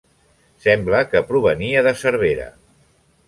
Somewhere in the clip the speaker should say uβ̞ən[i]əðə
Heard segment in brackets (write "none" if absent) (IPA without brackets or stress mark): i